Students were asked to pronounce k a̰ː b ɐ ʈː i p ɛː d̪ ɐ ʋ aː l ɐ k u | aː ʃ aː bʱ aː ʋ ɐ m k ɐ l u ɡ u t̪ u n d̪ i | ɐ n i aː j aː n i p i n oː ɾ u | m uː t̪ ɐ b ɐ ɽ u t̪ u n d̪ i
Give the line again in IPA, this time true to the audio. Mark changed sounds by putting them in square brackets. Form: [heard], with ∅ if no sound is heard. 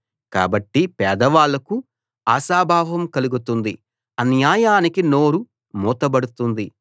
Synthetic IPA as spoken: k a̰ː b ɐ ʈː i p ɛː d̪ ɐ ʋ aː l ɐ k u | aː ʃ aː bʱ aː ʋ ɐ m k ɐ l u ɡ u t̪ u n d̪ i | ɐ n [j] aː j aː n i [k] i n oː ɾ u | m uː t̪ ɐ b ɐ ɽ u t̪ u n d̪ i

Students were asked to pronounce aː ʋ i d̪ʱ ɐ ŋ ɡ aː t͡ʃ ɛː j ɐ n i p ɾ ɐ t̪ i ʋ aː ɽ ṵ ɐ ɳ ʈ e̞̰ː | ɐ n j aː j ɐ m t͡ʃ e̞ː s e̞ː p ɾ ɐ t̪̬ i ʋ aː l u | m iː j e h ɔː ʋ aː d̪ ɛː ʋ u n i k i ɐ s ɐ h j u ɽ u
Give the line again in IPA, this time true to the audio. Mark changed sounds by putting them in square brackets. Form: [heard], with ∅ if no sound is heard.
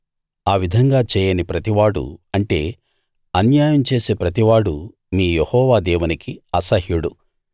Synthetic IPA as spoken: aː ʋ i d̪ʱ ɐ ŋ ɡ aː t͡ʃ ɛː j ɐ n i p ɾ ɐ t̪ i ʋ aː ɽ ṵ ɐ ɳ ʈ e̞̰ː | ɐ n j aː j ɐ m t͡ʃ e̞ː s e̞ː p ɾ ɐ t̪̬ i ʋ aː [ɽ] u | m iː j e h ɔː ʋ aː d̪ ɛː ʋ u n i k i ɐ s ɐ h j u ɽ u

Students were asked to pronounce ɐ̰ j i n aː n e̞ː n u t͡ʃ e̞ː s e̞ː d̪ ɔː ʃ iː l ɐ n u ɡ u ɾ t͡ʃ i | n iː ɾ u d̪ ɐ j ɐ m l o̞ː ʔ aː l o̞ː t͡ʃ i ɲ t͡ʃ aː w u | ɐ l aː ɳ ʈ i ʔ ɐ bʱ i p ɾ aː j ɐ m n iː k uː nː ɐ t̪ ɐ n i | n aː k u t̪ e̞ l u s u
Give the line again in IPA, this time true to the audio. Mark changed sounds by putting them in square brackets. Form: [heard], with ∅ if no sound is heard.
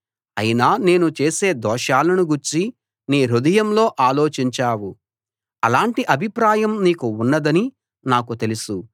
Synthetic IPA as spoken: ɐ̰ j i n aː n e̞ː n u t͡ʃ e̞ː s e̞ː d̪ ɔː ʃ [aː] l ɐ n u ɡ u ɾ t͡ʃ i | n iː ɾ u d̪ ɐ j ɐ m l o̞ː ʔ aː l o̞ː t͡ʃ i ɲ t͡ʃ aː w u | ɐ l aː ɳ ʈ i ʔ ɐ bʱ i p ɾ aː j ɐ m n iː k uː nː ɐ [d̪] ɐ n i | n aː k u t̪ e̞ l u s u

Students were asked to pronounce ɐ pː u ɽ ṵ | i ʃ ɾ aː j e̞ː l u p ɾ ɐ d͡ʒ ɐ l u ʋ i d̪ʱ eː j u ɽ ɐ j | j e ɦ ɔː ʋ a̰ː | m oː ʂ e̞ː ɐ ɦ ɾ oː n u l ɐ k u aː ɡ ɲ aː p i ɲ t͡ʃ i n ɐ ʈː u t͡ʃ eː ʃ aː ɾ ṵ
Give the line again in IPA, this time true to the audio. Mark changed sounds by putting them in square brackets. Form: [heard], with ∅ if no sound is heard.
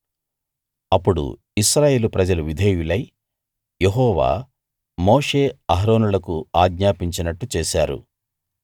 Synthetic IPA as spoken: ɐ pː u ɽ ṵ | i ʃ ɾ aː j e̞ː l u p ɾ ɐ d͡ʒ ɐ l u ʋ i d̪ʱ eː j u [l] ɐ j | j e ɦ ɔː ʋ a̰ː | m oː ʂ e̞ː ɐ ɦ ɾ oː n u l ɐ k u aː ɡ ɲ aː p i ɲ t͡ʃ i n ɐ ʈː u t͡ʃ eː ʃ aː ɾ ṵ

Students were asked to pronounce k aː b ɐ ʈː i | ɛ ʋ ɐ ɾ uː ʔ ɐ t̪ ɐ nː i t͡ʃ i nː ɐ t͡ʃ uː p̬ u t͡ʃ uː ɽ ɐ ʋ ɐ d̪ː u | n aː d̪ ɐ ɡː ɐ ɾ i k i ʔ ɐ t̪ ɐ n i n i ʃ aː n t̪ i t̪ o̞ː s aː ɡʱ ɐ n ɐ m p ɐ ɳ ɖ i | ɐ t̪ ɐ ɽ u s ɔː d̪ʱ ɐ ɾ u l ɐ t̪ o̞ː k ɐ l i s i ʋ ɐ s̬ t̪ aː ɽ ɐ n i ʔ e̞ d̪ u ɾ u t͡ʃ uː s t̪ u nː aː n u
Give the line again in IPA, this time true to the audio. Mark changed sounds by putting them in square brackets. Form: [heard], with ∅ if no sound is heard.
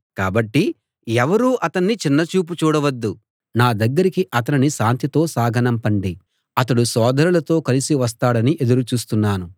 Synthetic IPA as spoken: k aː b ɐ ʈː i | ɛ ʋ ɐ ɾ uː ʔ ɐ t̪ ɐ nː i t͡ʃ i nː ɐ t͡ʃ uː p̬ u t͡ʃ uː ɽ ɐ ʋ ɐ d̪ː u | n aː d̪ ɐ ɡː ɐ ɾ i k i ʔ ɐ t̪ ɐ n i n i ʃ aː n t̪ i t̪ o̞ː s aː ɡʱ ɐ n ɐ m p ɐ ɳ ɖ i | ɐ t̪ ɐ ɽ u s ɔː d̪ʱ ɐ ɾ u l ɐ t̪ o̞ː k ɐ l i s i ʋ ɐ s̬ t̪ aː ɽ ɐ n i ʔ e̞ d̪ u ɾ u t͡ʃ uː s t̪ u nː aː n u

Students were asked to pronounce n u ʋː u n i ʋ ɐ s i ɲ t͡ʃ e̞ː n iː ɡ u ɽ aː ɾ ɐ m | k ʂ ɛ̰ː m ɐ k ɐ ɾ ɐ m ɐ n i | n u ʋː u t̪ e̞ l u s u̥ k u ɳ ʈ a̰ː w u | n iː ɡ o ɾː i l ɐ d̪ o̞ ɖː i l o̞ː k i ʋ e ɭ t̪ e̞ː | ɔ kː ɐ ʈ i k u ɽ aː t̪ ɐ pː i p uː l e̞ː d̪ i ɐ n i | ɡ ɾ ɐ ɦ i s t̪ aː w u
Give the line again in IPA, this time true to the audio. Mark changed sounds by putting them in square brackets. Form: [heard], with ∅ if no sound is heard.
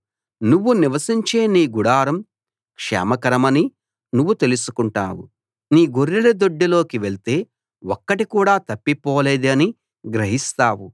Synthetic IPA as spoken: n u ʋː u n i ʋ ɐ s i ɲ t͡ʃ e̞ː n iː ɡ u ɽ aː ɾ ɐ m | k ʂ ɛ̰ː m ɐ k ɐ ɾ ɐ m ɐ n i | n u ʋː u t̪ e̞ l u s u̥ k u ɳ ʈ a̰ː w u | n iː ɡ o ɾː i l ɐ d̪ o̞ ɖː i l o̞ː k i ʋ e ɭ t̪ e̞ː | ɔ kː ɐ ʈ i k [uː] ɽ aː t̪ ɐ pː i p [ɔː] l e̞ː d̪ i ɐ n i | ɡ ɾ ɐ ɦ i s t̪ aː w u

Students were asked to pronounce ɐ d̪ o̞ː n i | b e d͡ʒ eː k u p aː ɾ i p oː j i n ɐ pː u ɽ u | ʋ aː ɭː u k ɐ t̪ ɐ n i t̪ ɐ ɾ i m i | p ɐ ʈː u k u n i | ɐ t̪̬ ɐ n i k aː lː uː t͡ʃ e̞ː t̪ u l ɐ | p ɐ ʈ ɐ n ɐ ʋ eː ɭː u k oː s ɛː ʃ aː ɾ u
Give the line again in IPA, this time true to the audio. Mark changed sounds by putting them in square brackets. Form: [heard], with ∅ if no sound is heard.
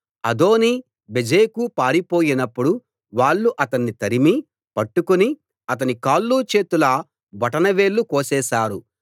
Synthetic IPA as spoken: ɐ d̪ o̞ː n i | b e d͡ʒ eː k u p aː ɾ i p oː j i n ɐ pː u ɽ u | ʋ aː ɭː u [ʔ] ɐ t̪ ɐ [nː] i t̪ ɐ ɾ i m i | p ɐ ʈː u k u n i | ɐ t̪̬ ɐ n i k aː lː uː t͡ʃ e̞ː t̪ u l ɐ | [b] ɐ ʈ ɐ n ɐ ʋ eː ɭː u k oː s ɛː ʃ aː ɾ u

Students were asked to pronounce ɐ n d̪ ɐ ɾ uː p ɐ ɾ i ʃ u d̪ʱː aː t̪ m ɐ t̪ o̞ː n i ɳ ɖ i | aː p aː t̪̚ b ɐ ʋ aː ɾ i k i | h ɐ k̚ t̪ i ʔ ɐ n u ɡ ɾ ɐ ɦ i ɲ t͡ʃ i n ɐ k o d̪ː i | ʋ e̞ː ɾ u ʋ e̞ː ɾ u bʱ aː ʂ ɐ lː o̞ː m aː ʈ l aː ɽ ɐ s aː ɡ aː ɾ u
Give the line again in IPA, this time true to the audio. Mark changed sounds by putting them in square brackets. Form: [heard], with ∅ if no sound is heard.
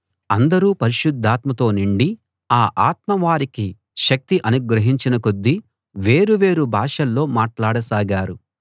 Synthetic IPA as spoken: ɐ n d̪ ɐ ɾ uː p ɐ ɾ i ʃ u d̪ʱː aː t̪ m ɐ t̪ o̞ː n i ɳ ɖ i | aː [ʔ] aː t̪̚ [m] ɐ ʋ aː ɾ i k i | [ʃ] ɐ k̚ t̪ i ʔ ɐ n u ɡ ɾ ɐ ɦ i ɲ t͡ʃ i n ɐ k o d̪ː i | ʋ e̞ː ɾ u ʋ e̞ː ɾ u bʱ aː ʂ ɐ lː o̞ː m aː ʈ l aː ɽ ɐ s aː ɡ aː ɾ u

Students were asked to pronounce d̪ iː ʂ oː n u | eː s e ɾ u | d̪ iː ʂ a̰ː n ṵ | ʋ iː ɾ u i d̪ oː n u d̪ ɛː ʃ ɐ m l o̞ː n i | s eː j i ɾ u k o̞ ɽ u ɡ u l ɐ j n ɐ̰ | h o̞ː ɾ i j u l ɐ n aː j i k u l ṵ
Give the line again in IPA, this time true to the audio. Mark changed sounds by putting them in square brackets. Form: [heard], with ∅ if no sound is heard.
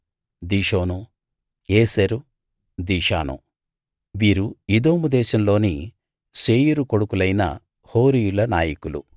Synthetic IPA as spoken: d̪ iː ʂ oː n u | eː s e ɾ u | d̪ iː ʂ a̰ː n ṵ | ʋ iː ɾ u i d̪ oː [m] u d̪ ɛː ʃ ɐ m l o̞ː n i | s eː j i ɾ u k o̞ ɽ u [k] u l ɐ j n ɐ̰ | h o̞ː ɾ i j u l ɐ n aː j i k u l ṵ

